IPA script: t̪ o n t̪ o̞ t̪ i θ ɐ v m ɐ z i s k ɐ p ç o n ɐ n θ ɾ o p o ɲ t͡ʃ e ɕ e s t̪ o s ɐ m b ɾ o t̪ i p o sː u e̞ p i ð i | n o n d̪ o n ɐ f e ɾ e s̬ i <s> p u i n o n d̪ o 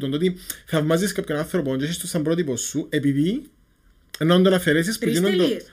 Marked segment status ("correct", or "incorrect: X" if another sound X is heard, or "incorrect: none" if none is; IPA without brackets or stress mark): correct